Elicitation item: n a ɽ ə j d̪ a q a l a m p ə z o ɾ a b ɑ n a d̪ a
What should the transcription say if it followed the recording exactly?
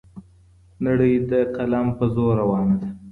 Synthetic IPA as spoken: n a ɽ ə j d̪ ə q a l a m p ə z o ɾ a w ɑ n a d̪ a